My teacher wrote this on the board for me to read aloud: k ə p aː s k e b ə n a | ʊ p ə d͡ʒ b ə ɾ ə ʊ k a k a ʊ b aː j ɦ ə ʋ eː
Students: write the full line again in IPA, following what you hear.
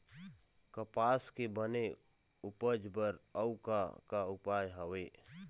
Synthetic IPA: k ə p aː s k e b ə n e | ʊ p ə d͡ʒ b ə ɾ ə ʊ k a k a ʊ p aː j ɦ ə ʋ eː